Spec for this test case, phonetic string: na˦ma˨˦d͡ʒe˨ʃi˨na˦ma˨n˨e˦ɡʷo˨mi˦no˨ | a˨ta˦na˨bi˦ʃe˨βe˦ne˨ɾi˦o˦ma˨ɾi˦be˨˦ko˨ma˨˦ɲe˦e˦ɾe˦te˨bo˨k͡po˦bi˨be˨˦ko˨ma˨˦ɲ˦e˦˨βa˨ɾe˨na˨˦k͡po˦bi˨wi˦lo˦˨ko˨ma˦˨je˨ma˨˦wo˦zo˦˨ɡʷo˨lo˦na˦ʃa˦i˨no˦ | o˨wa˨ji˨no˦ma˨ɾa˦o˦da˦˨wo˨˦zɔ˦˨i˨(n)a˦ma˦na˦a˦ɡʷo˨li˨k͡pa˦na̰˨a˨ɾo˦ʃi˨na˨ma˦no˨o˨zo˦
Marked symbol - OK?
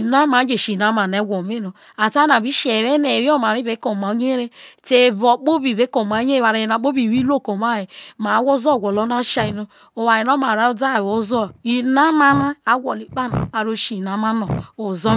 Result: yes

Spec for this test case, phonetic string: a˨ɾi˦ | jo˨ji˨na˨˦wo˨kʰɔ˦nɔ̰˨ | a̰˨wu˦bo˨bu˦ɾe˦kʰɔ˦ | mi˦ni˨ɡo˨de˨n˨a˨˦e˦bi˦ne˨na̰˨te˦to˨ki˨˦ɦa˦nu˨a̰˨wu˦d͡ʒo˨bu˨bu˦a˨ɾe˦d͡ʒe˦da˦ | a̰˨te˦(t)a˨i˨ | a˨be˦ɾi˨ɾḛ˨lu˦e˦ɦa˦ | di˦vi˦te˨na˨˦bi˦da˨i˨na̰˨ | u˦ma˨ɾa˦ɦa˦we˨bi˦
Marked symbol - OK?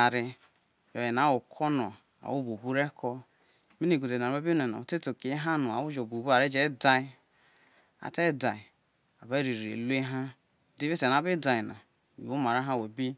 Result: no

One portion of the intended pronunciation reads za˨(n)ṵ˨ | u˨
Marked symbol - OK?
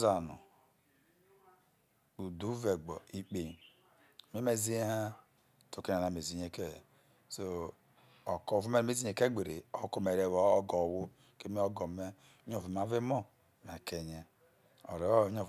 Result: yes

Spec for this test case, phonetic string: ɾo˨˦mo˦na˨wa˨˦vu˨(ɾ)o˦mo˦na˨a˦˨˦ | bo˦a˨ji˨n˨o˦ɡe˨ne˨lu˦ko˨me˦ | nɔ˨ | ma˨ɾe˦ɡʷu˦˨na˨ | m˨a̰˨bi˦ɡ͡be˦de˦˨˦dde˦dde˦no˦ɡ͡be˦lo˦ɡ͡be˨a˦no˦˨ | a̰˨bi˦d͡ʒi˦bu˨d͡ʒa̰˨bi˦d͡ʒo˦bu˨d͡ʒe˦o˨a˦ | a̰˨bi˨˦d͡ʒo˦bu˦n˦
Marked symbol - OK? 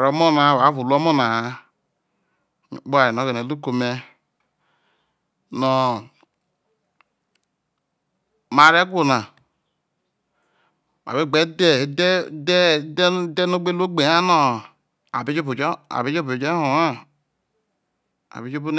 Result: no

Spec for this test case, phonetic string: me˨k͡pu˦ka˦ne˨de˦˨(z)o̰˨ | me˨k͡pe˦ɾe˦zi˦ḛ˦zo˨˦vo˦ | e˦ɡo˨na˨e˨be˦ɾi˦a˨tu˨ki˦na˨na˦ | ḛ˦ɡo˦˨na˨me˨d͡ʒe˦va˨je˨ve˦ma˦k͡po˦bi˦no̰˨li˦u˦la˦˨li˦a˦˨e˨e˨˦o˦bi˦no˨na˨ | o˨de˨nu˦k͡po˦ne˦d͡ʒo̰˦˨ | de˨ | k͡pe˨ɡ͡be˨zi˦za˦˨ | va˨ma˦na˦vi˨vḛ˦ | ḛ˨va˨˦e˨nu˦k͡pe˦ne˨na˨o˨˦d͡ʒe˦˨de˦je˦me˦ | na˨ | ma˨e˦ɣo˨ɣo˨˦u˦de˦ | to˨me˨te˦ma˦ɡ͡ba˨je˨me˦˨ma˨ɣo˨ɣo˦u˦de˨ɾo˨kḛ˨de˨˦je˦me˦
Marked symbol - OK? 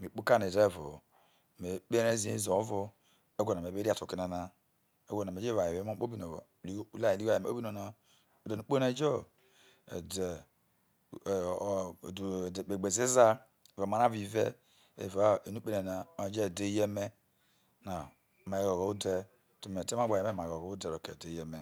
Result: no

